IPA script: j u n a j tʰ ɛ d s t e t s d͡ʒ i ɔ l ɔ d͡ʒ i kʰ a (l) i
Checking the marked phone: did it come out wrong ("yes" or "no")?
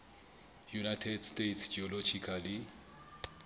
no